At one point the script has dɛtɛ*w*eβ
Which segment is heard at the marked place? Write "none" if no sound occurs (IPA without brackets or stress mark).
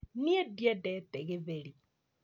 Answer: ɣ